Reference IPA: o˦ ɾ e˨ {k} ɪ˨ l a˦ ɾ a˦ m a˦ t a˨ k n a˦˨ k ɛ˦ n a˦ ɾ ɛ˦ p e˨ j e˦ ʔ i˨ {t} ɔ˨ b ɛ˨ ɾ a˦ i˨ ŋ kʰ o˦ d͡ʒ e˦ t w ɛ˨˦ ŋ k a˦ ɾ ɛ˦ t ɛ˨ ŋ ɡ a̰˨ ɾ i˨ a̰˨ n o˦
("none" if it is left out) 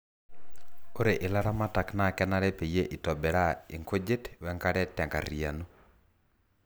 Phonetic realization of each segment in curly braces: ʔ, t

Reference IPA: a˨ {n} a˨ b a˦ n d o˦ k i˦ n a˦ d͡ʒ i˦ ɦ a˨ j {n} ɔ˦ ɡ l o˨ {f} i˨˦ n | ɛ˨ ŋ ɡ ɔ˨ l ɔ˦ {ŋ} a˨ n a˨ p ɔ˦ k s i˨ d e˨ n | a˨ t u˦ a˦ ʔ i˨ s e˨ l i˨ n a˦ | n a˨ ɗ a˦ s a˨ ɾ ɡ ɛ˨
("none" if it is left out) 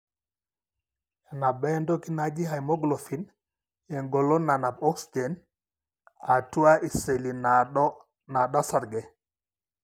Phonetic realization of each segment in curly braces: n, m, f, n

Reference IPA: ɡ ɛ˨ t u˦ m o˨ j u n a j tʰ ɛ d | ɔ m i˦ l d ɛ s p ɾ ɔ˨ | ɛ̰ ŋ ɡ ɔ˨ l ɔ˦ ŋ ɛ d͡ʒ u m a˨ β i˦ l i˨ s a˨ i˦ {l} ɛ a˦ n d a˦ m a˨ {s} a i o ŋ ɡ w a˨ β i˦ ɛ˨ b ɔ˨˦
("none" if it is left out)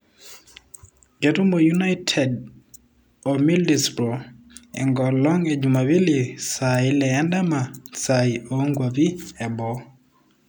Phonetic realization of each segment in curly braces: l, s

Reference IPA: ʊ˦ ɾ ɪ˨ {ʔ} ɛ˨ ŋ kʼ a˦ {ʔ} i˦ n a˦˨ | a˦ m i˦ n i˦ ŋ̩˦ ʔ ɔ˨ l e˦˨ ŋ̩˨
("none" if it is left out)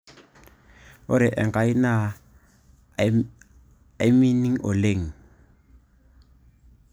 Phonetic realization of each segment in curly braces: ʔ, none

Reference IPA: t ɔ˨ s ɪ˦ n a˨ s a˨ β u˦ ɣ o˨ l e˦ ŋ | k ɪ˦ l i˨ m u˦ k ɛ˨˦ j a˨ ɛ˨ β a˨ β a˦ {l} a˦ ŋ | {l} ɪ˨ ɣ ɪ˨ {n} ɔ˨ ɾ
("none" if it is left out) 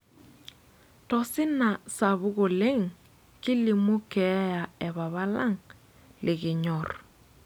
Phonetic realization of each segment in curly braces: l, l, ɲ

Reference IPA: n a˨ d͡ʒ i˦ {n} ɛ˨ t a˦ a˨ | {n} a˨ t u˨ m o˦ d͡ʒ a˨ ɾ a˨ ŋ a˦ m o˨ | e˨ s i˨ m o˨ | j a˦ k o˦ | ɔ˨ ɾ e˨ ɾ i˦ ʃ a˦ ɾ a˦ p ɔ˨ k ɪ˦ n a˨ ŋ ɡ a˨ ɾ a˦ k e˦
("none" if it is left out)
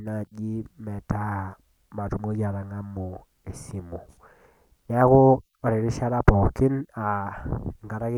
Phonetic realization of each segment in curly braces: m, m

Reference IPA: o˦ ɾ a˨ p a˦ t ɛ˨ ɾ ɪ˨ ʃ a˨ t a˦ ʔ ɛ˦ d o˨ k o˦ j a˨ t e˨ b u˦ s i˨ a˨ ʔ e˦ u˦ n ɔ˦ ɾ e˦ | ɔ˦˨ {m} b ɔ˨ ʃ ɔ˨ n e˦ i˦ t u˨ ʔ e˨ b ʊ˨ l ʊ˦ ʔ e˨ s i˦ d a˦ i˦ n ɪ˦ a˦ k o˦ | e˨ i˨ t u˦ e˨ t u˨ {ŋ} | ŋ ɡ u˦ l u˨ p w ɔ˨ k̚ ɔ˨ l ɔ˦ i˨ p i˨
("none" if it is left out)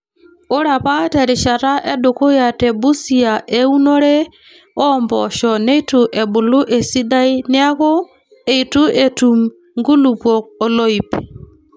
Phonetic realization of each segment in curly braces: m, m

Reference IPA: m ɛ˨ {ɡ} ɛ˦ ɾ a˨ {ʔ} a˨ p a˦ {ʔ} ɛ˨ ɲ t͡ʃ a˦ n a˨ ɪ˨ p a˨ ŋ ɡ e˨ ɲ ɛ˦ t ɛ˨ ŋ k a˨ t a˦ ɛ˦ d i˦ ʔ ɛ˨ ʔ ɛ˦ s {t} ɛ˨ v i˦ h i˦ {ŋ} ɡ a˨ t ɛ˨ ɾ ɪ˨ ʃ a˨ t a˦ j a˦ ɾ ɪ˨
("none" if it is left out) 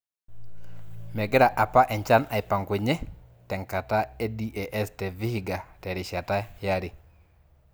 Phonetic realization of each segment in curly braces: ɡ, ʔ, ʔ, t, none

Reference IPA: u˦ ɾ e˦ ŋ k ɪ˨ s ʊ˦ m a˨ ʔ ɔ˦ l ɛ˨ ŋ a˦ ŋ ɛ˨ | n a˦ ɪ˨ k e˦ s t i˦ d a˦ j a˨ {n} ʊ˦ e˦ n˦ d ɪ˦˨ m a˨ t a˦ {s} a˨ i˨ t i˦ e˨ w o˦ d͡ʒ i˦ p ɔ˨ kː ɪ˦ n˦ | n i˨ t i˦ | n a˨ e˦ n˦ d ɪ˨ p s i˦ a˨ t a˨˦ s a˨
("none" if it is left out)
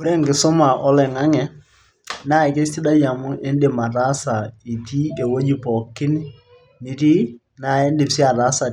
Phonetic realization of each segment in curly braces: m, s

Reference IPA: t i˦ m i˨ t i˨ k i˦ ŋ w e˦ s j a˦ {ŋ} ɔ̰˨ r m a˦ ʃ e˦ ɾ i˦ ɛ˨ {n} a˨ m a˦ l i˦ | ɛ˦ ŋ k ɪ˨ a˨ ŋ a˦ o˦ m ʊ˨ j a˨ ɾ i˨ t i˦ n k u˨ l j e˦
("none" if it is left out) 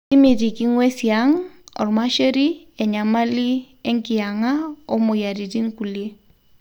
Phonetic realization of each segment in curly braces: ŋ, ɲ

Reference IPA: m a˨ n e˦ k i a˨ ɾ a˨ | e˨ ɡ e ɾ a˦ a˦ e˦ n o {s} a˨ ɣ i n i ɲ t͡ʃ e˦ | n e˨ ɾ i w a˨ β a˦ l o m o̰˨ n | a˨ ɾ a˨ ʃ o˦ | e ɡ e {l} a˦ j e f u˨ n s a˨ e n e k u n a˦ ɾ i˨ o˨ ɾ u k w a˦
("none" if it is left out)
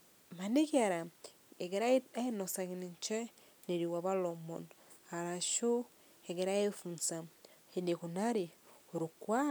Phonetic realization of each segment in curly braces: s, ɾ

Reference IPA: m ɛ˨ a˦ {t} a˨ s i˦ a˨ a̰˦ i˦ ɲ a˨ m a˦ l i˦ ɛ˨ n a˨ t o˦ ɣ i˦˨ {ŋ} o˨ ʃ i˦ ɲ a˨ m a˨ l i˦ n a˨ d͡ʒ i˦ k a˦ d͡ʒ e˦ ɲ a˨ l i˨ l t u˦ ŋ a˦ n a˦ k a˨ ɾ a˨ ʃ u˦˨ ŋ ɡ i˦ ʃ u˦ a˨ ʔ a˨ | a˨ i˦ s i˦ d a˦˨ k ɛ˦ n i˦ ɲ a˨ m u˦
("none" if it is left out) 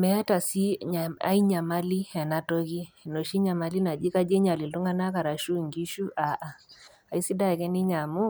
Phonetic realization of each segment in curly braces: t, n

